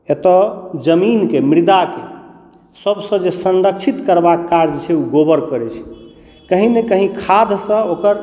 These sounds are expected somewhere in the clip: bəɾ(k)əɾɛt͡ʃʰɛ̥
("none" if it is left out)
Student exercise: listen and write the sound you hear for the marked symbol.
k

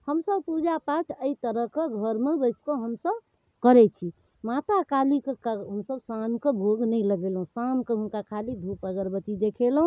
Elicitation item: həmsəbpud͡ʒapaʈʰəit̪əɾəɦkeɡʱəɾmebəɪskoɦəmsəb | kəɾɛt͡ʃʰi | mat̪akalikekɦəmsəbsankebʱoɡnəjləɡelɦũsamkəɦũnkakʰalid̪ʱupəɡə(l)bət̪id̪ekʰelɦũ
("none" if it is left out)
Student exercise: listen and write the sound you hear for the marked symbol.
ɾ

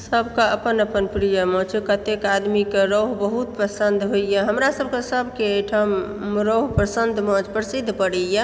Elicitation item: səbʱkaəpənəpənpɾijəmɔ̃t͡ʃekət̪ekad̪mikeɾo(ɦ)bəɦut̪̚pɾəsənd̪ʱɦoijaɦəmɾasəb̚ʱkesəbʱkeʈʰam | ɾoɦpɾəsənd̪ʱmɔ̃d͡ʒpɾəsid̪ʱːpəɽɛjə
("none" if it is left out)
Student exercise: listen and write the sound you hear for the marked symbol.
ɦ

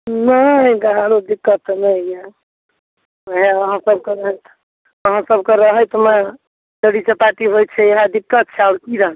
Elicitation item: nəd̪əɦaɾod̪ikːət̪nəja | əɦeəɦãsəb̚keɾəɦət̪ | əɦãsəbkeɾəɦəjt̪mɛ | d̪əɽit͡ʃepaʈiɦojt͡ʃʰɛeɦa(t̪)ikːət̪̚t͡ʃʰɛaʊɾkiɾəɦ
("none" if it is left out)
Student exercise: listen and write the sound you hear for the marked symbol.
d̪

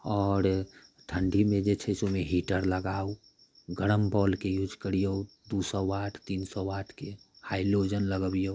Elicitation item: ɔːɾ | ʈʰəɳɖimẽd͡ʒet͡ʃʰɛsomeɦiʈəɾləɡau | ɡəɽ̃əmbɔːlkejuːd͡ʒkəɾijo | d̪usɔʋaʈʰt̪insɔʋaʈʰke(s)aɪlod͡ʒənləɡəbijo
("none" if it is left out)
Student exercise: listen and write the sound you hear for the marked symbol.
h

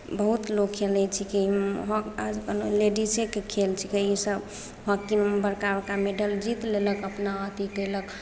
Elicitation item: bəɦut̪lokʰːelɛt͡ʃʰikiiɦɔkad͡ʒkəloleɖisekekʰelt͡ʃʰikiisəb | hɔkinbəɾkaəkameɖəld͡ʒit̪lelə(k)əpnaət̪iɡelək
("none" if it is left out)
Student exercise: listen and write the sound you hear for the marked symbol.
k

